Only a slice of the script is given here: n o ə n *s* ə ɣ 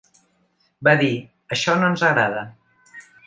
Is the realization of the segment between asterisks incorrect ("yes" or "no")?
yes